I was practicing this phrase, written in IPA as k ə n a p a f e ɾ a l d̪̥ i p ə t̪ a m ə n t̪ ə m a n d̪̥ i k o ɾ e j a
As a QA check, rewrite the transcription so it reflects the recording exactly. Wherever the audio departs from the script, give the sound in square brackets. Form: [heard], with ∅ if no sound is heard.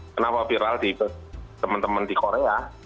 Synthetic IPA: k ə n a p a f [i] ɾ a l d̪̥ i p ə t̪ [ə] m ə n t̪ ə m [ə] n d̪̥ i k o ɾ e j a